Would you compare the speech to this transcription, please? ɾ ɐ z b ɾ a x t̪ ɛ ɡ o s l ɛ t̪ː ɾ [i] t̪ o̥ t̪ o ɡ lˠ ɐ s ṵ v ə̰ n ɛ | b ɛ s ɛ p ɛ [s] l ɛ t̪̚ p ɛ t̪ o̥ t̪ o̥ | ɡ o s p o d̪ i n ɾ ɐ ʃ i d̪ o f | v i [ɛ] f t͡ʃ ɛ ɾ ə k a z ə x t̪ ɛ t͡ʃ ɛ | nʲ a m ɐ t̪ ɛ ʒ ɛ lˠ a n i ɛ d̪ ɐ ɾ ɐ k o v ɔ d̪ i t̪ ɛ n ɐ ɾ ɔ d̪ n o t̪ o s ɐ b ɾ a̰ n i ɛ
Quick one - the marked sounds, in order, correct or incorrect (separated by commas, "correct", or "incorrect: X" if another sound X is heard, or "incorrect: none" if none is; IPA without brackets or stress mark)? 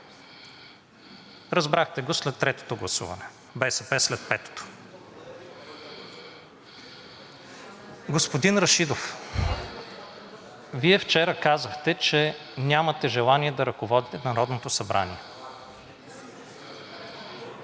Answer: incorrect: ɛ, correct, correct